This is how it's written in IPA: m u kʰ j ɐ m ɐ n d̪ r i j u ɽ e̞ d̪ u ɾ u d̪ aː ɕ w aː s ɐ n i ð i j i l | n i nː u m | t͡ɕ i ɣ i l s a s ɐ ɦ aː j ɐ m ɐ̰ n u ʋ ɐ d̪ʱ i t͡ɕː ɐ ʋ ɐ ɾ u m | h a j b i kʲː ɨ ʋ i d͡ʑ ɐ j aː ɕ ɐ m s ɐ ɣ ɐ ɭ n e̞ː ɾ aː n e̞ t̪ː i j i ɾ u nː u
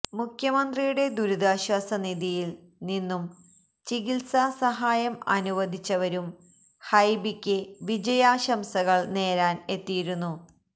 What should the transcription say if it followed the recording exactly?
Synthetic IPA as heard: m u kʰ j ɐ m ɐ n d̪ r i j u ɽ e̞ d̪ u ɾ u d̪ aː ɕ w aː s ɐ n i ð i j i l | n i nː u m | t͡ɕ i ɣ i l s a s ɐ ɦ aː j ɐ m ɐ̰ n u ʋ ɐ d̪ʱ i t͡ɕː ɐ ʋ ɐ ɾ u m | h ɐ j b i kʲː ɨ ʋ i d͡ʑ ɐ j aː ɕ ɐ m s ɐ ɣ ɐ ɭ n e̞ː ɾ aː n e̞ t̪ː i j i ɾ u nː u